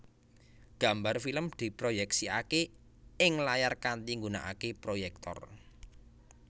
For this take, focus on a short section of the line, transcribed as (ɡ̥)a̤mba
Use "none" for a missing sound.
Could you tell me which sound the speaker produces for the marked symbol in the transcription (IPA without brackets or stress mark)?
ɡ̥